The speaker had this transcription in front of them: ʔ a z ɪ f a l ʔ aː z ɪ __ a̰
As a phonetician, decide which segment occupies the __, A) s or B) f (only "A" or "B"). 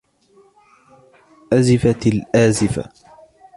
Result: B